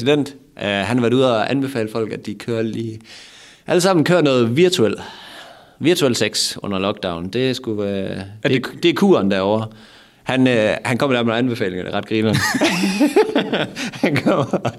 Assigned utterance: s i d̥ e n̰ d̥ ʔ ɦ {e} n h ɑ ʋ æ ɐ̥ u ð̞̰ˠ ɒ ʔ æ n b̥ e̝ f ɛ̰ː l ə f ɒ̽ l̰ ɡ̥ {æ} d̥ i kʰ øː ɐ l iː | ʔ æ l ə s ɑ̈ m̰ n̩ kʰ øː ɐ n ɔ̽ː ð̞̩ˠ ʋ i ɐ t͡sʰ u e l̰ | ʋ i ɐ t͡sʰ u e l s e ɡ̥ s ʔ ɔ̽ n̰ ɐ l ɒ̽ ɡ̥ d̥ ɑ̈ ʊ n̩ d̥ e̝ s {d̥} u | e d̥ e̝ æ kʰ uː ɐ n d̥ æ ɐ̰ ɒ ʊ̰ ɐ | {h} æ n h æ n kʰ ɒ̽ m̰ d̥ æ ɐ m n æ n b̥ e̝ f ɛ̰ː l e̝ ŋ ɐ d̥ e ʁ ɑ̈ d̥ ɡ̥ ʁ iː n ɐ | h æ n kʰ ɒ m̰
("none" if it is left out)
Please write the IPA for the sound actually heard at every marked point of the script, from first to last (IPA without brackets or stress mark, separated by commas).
æ, æ, ɡ̥, h